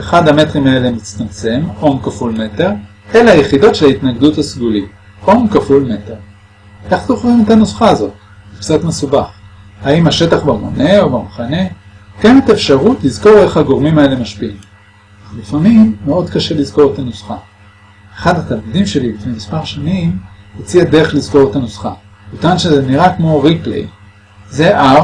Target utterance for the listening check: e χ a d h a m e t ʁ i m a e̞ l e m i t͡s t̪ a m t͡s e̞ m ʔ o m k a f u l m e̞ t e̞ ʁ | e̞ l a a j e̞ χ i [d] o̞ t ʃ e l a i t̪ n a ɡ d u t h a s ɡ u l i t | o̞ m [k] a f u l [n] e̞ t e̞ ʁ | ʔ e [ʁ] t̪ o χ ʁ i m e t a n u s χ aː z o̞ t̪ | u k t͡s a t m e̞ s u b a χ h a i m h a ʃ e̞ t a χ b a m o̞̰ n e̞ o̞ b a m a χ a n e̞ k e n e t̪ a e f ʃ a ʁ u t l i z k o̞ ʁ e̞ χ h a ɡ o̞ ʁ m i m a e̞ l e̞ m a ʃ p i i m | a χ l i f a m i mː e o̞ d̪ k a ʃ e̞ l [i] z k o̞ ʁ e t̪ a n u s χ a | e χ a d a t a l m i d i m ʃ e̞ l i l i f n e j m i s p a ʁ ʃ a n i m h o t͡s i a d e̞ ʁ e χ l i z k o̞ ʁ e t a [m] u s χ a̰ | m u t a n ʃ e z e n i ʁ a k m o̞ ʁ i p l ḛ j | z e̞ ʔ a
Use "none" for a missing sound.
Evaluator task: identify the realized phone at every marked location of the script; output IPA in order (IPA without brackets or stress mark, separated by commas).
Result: d, k, m, χ, i, n